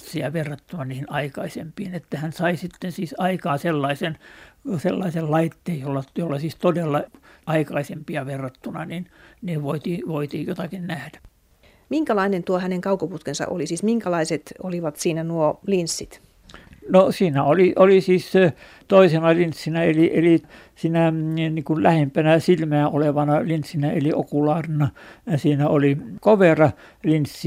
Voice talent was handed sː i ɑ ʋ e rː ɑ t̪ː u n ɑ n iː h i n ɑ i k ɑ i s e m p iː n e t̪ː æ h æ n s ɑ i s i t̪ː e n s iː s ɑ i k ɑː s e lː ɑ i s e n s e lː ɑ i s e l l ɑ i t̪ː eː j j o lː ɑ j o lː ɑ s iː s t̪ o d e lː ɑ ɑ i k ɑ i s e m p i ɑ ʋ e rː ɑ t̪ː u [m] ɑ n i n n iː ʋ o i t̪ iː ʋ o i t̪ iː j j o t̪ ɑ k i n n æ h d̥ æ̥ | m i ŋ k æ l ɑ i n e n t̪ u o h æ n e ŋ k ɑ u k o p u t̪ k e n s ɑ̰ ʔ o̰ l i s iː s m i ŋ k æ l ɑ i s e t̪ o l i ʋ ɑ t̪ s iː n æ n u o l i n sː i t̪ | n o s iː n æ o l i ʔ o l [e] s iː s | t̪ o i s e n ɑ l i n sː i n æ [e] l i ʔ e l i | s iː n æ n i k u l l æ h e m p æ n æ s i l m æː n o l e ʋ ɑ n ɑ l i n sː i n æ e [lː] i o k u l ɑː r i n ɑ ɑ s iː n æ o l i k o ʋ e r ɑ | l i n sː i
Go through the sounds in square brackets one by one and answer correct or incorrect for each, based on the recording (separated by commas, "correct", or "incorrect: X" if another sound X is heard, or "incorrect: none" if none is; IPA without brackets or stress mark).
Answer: incorrect: n, incorrect: i, correct, incorrect: l